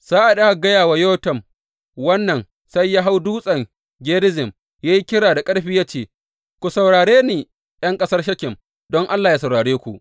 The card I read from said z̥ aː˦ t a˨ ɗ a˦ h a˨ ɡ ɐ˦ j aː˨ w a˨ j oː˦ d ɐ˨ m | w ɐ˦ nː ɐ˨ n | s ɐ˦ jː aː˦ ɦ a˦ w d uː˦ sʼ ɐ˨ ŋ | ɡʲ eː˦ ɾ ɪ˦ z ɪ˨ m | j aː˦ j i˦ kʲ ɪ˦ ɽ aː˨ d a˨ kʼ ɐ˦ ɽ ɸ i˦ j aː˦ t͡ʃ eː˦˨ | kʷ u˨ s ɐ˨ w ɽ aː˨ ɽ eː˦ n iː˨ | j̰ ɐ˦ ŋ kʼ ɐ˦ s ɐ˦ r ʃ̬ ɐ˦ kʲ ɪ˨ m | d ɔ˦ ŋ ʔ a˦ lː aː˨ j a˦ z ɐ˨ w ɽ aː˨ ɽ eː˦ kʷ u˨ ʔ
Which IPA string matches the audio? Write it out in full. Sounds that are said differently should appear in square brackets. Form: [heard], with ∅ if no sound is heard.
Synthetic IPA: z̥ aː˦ [ʔ] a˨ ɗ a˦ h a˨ ɡ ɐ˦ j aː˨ w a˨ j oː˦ [t] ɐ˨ m | w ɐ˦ nː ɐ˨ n | s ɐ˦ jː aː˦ ɦ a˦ w d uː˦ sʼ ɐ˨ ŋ | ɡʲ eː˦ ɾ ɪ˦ z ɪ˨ m | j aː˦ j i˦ kʲ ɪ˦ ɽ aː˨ d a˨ kʼ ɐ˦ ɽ ɸ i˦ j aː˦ t͡ʃ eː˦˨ | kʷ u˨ s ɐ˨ w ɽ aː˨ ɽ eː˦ n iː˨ | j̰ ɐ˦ ŋ kʼ ɐ˦ s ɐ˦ r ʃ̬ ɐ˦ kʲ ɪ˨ m | d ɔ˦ ŋ ʔ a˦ lː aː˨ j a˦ [s] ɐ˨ w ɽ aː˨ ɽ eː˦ kʷ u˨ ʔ